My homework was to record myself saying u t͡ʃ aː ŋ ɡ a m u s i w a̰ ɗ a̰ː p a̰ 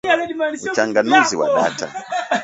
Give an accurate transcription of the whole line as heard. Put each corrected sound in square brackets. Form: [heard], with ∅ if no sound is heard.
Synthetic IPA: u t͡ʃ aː ŋ ɡ a [n] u [z] i w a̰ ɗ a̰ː [t] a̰